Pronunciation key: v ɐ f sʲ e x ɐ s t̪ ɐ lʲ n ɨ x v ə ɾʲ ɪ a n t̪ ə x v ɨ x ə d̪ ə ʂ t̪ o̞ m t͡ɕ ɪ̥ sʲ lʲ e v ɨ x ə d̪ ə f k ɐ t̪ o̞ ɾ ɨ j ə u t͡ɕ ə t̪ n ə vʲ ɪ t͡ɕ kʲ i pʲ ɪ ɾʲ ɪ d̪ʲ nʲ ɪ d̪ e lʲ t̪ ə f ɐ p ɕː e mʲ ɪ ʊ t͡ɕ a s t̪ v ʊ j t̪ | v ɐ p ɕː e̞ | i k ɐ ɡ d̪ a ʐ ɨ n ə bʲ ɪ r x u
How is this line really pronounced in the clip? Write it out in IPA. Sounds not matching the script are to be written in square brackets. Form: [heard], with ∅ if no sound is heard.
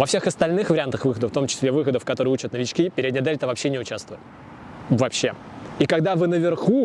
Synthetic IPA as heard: v ɐ f sʲ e x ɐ s t̪ ɐ lʲ n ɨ x v ə ɾʲ ɪ a n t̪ ə x v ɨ x ə d̪ ə [f] t̪ o̞ m t͡ɕ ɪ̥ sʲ lʲ e v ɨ x ə d̪ ə f k ɐ t̪ o̞ ɾ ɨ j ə u t͡ɕ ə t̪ n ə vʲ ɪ t͡ɕ kʲ i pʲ ɪ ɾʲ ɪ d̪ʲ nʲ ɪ d̪ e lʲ t̪ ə [v] ɐ p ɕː e [nʲ] ɪ ʊ t͡ɕ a s t̪ v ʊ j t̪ | v ɐ p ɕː e̞ | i k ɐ ɡ d̪ a [v] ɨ n ə [vʲ] ɪ r x u